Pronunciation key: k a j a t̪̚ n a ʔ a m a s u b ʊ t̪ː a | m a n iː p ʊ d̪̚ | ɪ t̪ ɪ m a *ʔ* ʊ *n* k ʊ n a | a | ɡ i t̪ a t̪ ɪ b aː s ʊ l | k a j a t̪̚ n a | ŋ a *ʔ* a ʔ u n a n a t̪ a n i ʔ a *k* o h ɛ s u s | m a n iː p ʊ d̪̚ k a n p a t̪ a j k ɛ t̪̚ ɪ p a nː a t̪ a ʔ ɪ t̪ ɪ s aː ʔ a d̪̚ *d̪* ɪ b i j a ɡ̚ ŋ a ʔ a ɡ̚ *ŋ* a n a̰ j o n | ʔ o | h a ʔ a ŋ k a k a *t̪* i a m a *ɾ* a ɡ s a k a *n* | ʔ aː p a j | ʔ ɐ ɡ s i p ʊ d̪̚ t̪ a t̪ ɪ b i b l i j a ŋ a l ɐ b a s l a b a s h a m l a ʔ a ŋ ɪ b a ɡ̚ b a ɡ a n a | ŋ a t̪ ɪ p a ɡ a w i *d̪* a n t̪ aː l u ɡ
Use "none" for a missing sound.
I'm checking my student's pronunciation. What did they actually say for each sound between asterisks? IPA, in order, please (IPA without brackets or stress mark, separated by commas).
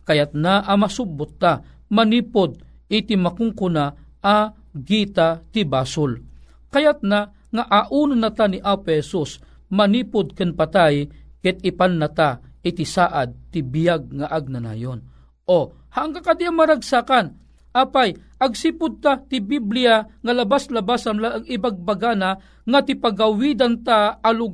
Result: k, ŋ, ʔ, p, t̪, n, d̪, ɾ, n, d̪